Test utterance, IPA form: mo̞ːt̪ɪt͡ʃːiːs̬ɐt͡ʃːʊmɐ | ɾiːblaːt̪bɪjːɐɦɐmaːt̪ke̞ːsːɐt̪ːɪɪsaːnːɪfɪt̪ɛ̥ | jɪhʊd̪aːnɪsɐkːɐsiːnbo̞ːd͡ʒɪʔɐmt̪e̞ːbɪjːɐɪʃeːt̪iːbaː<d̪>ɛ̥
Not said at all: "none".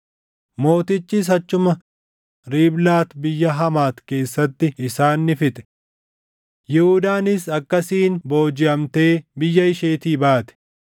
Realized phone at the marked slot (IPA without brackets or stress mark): t̪